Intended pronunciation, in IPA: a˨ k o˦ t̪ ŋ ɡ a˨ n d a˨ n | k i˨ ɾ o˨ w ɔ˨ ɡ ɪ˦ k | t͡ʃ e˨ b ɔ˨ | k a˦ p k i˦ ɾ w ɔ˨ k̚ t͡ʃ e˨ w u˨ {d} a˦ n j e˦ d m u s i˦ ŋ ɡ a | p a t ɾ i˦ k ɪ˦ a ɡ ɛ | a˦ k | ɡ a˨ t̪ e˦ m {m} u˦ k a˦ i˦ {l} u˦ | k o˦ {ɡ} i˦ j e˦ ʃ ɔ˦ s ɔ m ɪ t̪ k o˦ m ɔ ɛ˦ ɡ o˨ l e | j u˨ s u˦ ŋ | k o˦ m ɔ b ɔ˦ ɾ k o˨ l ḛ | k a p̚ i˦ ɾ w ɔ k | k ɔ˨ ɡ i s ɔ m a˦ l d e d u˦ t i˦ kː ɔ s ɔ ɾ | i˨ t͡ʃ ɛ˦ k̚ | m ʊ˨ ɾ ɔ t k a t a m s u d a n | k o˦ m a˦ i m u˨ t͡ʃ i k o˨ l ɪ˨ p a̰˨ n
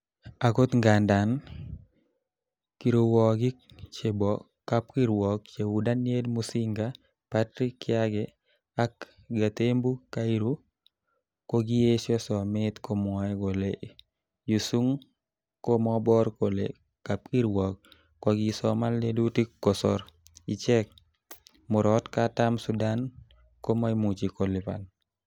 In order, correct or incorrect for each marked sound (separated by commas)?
correct, incorrect, incorrect, correct